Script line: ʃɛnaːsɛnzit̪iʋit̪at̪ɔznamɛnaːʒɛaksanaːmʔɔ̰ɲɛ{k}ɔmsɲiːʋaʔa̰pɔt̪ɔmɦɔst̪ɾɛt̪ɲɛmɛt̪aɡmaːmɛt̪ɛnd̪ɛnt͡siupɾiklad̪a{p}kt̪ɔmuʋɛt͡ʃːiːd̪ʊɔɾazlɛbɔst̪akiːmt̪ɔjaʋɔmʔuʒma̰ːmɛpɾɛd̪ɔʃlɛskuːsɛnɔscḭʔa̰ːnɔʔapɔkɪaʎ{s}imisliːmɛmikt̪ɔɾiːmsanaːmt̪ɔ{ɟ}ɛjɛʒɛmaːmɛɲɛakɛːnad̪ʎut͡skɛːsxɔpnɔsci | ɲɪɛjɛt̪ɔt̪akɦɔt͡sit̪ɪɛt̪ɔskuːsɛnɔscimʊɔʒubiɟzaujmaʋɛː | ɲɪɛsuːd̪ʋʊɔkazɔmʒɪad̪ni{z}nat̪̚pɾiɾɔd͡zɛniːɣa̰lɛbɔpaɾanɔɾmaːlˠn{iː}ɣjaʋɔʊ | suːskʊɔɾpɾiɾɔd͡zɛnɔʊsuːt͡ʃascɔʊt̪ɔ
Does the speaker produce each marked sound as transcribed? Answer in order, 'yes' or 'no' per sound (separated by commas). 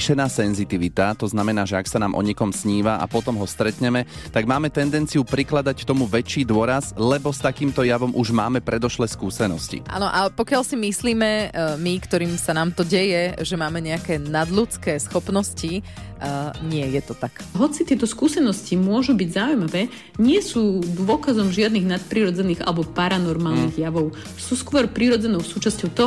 yes, no, yes, yes, no, no